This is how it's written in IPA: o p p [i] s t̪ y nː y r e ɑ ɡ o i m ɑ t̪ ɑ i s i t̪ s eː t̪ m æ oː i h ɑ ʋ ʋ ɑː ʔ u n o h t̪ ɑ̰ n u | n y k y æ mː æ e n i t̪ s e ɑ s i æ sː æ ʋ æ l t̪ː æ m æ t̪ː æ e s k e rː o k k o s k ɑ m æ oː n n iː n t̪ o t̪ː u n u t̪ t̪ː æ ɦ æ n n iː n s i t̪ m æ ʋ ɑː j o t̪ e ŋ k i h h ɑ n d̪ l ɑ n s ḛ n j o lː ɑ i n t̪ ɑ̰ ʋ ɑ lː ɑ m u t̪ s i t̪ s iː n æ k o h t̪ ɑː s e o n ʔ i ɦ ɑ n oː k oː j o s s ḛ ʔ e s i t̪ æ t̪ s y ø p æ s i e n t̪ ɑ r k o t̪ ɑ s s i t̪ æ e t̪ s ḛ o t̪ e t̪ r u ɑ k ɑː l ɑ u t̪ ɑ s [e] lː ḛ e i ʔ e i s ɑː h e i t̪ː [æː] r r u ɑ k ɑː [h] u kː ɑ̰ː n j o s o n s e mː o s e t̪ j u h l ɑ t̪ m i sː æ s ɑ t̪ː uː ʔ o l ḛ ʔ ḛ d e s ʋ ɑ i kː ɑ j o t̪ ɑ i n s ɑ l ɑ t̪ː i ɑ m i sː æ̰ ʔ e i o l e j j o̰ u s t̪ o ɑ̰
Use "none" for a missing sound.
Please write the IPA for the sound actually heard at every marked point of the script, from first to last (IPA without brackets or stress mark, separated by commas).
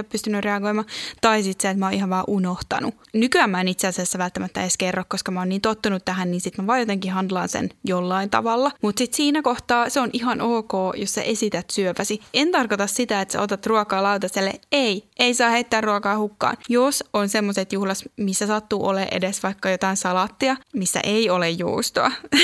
y, e, æː, h